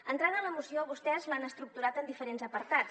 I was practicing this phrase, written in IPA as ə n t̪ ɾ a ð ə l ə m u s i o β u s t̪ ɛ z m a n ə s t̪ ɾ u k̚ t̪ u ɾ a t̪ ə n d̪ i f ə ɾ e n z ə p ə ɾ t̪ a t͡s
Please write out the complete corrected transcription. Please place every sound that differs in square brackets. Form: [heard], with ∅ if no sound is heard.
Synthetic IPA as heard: ə n t̪ ɾ a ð ə l ə m u s i o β u s t̪ ɛ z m a n ə s t̪ ɾ u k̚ t̪ u ɾ a t̪ ə n d̪ i f ə ɾ e n z ə p ə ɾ t̪ a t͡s